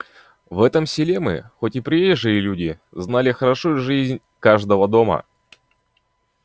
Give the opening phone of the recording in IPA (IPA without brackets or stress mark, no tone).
v